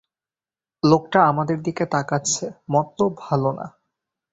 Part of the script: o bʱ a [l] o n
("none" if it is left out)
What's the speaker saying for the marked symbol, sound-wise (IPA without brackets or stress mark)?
l